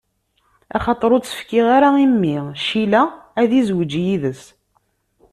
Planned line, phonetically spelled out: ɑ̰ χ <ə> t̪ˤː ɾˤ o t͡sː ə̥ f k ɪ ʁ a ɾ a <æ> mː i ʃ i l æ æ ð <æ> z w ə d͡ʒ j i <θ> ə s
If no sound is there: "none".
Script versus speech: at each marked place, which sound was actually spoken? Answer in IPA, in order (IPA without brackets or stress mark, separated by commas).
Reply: ɑ, i, i, ð